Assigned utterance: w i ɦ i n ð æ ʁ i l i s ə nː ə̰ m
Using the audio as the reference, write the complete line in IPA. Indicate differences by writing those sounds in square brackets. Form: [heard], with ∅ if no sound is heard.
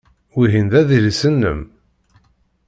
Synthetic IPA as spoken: w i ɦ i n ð æ [ð] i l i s ə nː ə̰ m